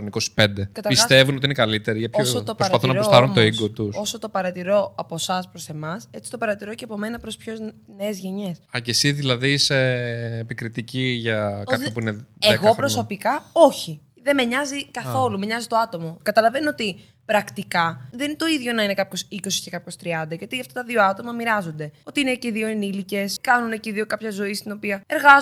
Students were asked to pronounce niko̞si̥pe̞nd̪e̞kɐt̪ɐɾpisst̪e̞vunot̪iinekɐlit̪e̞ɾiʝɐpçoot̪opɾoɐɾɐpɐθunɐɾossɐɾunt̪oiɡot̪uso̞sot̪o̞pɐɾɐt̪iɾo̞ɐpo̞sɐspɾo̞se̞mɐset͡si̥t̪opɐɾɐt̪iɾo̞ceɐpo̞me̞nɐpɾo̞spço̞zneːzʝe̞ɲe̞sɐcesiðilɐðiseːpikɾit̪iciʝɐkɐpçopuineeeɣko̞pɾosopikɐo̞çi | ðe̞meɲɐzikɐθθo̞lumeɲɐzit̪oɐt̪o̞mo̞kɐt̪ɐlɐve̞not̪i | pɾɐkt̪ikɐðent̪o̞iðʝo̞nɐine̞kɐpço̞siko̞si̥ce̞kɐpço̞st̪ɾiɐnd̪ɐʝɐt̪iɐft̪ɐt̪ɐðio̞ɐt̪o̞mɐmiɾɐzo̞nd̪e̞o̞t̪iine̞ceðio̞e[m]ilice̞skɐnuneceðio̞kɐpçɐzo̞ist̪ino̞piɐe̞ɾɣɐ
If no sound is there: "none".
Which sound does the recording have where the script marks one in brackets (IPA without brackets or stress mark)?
n